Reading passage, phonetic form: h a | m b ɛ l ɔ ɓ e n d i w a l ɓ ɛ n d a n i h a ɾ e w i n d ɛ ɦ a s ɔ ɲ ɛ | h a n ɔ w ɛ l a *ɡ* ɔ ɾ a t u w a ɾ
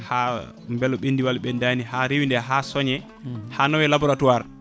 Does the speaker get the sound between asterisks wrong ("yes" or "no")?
yes